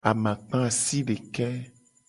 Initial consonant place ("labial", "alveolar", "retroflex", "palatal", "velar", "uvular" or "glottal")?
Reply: labial